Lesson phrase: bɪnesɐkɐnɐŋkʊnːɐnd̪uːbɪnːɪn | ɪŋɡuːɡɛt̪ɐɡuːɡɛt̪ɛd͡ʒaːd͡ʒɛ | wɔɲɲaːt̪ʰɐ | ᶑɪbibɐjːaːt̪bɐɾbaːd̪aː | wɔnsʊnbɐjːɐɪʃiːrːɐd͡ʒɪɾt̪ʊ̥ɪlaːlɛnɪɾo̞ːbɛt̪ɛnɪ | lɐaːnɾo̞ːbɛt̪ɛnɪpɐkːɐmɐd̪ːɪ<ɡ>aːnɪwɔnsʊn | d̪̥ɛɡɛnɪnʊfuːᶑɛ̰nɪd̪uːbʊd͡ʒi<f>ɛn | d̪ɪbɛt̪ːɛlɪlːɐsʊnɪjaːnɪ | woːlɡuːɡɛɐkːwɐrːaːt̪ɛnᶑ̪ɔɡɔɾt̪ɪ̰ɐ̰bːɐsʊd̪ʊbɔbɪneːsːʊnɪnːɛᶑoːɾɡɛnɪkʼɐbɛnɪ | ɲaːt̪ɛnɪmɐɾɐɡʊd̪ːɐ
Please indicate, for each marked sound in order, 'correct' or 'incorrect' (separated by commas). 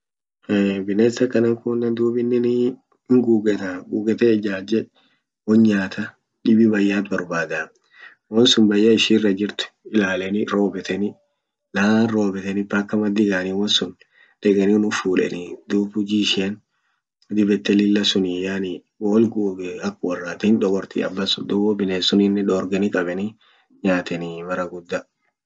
correct, incorrect